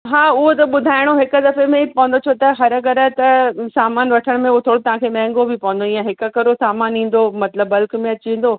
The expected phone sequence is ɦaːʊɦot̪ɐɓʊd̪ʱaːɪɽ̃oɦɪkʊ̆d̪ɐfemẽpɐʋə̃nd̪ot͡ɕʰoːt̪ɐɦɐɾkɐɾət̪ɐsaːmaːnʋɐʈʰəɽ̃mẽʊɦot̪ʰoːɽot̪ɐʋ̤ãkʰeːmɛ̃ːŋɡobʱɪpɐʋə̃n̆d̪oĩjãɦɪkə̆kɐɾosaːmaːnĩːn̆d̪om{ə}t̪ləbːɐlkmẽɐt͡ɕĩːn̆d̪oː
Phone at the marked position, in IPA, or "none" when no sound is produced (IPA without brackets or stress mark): ɐ